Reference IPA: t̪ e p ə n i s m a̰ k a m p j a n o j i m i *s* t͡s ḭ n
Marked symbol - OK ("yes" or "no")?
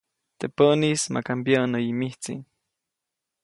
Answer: no